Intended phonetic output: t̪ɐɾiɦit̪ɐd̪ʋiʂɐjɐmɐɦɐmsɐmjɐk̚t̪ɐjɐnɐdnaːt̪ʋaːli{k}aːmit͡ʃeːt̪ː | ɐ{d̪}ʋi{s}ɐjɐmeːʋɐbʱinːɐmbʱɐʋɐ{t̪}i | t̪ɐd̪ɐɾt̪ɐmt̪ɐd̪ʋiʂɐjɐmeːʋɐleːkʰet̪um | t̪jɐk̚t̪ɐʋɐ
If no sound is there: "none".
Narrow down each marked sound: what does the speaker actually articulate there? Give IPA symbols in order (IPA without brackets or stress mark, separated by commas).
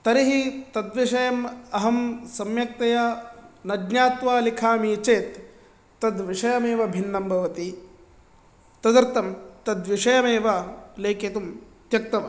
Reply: kʰ, d̪, ʂ, t̪